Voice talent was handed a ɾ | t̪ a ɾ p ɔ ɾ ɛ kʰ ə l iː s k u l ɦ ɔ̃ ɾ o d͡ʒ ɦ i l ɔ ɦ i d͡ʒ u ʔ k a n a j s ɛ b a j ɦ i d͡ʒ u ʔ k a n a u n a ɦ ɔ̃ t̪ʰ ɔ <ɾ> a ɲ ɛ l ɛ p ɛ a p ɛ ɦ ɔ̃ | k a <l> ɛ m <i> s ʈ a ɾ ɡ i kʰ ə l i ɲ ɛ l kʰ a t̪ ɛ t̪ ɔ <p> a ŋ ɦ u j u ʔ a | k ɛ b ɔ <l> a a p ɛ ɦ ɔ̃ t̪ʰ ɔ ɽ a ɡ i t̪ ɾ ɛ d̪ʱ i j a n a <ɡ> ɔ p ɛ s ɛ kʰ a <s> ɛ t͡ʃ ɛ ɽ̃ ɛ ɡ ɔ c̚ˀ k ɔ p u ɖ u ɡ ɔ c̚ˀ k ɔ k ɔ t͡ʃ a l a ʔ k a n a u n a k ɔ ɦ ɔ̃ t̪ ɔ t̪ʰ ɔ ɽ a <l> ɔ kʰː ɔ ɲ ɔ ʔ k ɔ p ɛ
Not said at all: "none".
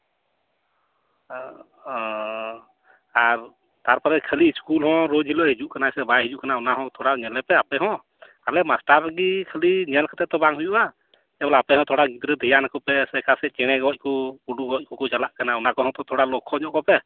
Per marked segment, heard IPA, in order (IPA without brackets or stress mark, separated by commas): ɽ, l, a, b, l, k, s, l